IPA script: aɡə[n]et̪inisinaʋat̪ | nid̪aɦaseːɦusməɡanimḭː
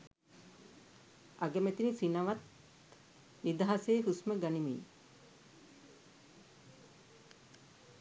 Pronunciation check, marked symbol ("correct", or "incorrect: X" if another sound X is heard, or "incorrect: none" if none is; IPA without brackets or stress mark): incorrect: m